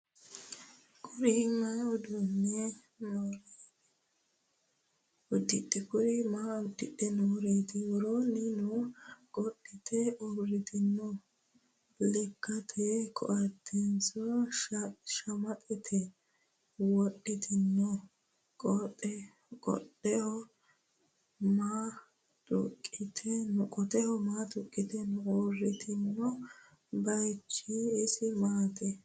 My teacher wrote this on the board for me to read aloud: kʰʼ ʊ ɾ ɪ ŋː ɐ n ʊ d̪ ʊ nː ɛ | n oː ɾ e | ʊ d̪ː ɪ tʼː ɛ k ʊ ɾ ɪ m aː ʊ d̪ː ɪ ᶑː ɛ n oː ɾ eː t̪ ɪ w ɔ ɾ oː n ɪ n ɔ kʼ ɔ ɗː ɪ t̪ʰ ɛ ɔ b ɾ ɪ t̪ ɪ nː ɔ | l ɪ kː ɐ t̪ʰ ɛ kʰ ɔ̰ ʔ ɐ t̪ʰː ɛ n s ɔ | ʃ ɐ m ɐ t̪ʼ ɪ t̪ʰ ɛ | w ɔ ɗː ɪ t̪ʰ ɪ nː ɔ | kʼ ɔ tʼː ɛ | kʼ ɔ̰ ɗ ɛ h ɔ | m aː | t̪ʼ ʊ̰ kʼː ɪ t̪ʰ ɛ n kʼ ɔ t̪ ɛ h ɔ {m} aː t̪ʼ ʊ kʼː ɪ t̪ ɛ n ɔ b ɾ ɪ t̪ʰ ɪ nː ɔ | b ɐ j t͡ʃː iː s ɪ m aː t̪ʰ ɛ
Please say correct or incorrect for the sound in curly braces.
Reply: correct